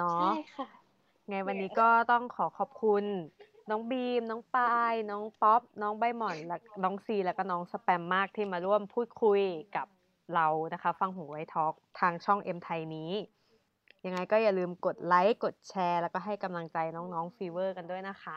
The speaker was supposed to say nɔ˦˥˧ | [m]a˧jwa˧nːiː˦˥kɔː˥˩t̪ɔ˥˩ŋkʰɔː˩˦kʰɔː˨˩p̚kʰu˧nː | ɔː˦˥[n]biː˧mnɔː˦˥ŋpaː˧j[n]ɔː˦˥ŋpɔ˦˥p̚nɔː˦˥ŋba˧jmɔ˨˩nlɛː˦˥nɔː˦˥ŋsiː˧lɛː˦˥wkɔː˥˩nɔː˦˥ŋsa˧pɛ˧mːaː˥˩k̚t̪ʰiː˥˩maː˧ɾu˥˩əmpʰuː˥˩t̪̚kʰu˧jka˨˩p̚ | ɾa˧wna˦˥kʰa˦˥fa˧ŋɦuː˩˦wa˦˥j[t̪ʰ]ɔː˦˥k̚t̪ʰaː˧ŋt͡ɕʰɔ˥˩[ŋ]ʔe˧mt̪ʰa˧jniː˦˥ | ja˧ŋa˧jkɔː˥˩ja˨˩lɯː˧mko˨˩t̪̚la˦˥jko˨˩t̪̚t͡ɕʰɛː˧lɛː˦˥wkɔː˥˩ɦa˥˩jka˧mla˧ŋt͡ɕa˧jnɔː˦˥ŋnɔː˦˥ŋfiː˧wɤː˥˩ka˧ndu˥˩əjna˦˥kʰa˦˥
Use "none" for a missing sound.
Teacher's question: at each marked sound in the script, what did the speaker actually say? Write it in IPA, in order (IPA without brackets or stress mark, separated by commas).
ŋ, ŋ, n, t̪ʰ, ŋ